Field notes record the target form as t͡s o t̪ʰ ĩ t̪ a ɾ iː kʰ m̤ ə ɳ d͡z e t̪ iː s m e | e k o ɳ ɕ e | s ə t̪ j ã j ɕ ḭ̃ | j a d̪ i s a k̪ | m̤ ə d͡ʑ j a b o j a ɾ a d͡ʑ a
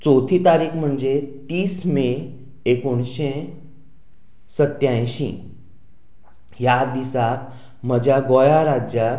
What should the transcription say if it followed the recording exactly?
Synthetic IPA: t͡s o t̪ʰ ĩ t̪ a ɾ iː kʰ m̤ ə ɳ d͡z e t̪ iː s m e | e k o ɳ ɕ e | s ə t̪ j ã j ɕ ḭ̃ | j a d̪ i s a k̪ | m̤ ə d͡ʑ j a ɡ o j a ɾ a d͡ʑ a